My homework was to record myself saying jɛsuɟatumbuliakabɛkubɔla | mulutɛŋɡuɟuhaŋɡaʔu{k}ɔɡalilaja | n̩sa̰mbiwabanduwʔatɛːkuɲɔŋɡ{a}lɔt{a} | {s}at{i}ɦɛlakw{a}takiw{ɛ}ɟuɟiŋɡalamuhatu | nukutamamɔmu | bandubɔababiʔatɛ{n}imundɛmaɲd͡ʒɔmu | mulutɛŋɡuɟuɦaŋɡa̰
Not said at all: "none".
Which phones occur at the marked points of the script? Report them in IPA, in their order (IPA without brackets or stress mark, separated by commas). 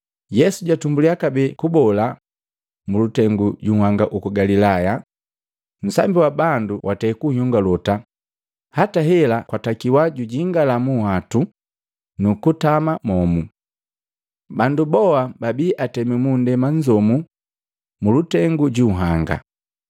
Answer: k, a, a, h, a, a, a, m